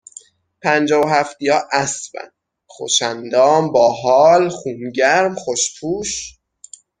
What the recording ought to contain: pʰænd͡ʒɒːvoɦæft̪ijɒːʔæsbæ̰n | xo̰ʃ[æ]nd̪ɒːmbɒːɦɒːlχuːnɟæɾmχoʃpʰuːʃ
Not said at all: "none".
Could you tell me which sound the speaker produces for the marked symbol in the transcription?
æ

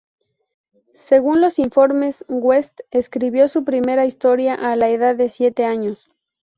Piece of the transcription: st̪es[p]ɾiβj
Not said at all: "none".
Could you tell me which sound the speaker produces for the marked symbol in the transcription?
k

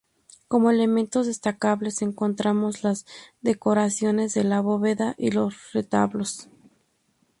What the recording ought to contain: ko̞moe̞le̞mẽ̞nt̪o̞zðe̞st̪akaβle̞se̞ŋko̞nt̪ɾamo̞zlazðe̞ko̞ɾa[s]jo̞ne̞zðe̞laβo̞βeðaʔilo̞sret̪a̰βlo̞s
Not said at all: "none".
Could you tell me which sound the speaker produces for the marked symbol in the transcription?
s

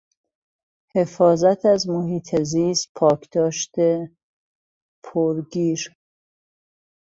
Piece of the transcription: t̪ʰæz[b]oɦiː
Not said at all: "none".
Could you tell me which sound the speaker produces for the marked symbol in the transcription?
m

